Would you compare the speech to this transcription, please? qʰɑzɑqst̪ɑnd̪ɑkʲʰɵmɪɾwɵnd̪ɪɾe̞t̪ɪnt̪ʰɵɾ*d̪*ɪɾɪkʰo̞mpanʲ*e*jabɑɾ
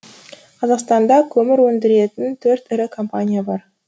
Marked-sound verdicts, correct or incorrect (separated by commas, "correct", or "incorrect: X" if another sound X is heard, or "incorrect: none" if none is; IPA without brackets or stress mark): incorrect: t̪, incorrect: i